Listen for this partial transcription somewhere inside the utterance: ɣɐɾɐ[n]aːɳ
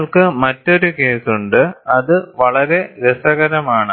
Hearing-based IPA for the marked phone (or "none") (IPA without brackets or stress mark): m